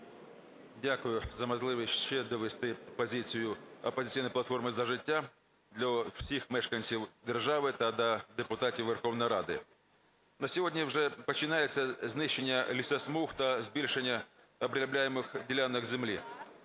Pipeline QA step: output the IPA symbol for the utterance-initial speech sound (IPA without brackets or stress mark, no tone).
dʲ